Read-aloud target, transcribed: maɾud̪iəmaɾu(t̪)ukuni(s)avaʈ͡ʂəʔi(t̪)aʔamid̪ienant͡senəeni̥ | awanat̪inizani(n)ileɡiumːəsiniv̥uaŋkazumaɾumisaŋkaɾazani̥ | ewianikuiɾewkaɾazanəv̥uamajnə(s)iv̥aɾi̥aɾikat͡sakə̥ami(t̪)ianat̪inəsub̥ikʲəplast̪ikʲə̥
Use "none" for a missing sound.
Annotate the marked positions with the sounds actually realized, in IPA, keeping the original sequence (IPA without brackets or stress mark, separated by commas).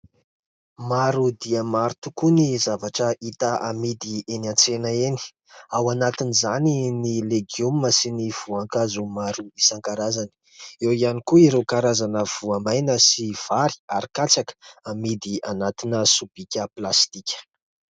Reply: t̪, z, t̪, n, s, d̪